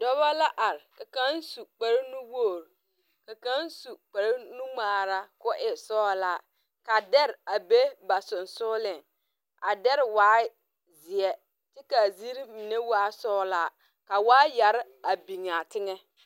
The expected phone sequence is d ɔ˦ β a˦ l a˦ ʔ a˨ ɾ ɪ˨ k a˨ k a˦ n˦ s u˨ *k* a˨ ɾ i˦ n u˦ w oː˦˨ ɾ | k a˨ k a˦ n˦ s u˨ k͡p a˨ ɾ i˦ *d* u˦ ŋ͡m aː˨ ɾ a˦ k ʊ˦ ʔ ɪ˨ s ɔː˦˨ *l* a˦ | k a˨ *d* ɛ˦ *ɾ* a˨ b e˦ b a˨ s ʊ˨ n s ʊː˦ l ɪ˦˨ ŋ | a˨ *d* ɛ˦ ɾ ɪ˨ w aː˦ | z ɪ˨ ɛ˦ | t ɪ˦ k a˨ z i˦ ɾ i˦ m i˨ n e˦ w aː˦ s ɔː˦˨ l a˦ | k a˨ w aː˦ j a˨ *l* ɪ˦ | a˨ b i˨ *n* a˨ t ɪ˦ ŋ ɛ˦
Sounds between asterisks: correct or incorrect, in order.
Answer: incorrect, incorrect, correct, correct, correct, correct, incorrect, incorrect

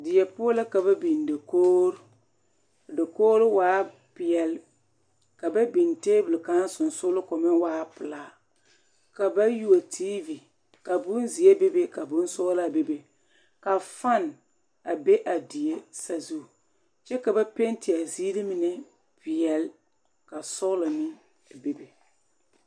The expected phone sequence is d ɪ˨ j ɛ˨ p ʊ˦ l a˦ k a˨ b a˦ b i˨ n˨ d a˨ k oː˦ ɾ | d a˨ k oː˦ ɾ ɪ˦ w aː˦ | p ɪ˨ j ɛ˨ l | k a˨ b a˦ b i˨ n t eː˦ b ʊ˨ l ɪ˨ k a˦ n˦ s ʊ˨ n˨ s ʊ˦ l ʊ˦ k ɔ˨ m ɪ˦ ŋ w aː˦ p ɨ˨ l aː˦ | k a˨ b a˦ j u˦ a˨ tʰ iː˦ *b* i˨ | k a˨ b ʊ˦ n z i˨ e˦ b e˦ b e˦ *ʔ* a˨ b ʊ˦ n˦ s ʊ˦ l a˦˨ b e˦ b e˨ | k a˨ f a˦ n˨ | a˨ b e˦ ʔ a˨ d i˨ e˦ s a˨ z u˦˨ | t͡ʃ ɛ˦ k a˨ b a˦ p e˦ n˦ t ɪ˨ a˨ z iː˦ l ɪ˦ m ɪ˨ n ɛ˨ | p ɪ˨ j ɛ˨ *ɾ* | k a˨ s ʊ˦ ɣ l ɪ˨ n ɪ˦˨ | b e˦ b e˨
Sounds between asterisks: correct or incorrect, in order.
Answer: incorrect, incorrect, incorrect

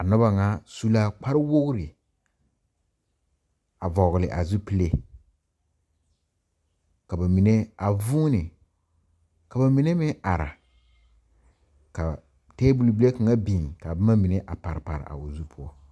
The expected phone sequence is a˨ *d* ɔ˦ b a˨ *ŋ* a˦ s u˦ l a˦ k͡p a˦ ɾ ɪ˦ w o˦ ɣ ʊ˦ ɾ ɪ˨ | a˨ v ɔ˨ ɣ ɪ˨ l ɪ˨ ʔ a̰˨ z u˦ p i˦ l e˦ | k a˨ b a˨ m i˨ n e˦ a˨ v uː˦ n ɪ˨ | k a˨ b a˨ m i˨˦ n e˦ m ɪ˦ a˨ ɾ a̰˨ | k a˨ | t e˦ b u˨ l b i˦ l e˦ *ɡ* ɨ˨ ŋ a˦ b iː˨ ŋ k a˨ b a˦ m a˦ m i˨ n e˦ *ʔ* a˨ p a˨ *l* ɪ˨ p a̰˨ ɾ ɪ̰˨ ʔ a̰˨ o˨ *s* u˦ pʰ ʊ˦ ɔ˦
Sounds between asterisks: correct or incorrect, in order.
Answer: incorrect, correct, incorrect, correct, incorrect, incorrect

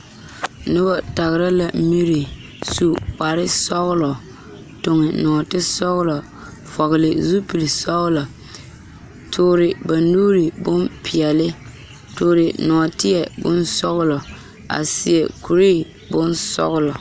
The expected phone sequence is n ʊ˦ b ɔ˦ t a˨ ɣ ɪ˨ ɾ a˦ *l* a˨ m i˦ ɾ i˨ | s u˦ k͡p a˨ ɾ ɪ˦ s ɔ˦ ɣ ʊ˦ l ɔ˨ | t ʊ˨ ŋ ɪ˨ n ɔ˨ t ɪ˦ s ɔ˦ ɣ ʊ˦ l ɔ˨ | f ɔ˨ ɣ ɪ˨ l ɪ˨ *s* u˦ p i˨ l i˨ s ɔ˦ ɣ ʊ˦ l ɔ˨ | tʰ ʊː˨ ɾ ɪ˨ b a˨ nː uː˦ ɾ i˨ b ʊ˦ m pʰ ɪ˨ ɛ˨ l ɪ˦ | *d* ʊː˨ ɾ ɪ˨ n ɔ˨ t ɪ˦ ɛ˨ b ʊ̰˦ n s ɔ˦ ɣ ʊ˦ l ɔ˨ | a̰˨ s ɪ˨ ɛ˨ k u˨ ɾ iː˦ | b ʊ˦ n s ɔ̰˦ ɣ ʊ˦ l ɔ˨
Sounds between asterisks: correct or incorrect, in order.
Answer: correct, incorrect, incorrect

